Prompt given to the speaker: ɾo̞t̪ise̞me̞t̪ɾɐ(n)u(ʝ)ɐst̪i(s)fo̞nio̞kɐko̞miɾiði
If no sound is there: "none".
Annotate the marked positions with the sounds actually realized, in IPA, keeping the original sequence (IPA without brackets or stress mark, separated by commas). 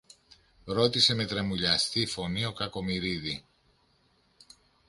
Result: m, ʎ, none